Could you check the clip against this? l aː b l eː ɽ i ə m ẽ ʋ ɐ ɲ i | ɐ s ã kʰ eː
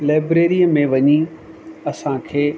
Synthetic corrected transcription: l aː b ɾ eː ɾ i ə m ẽ ʋ ɐ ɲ i | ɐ s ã kʰ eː